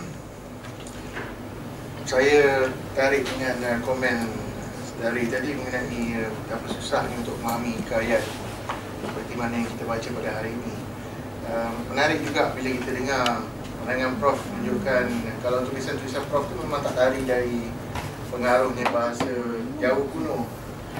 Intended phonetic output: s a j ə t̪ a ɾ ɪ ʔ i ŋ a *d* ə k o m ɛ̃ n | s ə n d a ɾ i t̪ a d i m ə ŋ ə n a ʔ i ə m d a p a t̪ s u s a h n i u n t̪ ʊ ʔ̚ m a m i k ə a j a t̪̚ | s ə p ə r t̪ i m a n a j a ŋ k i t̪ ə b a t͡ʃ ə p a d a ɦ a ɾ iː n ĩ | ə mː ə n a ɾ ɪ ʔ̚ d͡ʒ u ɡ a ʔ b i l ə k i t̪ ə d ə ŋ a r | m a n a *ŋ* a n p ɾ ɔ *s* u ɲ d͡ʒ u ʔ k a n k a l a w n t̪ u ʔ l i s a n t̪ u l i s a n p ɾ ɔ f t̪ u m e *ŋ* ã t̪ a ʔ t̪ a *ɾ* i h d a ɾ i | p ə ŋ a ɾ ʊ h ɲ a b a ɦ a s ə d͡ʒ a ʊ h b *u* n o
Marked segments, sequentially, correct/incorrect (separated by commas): incorrect, correct, incorrect, incorrect, correct, correct